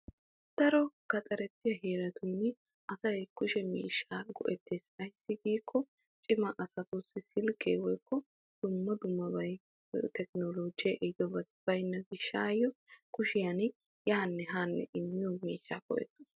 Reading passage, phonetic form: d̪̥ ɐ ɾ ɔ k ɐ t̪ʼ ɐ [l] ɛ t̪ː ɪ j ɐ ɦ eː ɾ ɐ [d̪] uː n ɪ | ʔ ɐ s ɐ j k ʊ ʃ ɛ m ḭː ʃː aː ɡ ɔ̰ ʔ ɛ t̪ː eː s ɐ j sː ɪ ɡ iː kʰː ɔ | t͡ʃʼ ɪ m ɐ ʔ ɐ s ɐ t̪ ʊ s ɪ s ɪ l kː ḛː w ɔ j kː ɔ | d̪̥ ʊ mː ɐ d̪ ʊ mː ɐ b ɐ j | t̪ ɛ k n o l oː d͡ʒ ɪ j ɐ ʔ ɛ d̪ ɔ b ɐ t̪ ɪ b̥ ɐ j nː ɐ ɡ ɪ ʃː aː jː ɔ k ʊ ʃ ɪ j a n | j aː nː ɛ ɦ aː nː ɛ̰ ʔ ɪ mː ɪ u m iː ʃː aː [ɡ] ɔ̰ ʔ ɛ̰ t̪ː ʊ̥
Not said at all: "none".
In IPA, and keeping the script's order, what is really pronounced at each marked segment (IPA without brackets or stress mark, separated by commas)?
ɾ, t̪, k